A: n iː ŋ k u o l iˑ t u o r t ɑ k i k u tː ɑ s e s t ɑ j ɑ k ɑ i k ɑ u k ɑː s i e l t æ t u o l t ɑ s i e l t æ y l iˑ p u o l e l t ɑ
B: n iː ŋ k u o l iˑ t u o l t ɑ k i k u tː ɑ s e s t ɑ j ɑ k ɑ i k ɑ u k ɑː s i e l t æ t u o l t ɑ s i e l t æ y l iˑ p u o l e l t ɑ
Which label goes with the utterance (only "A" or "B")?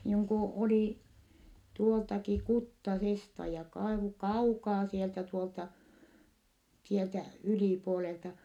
B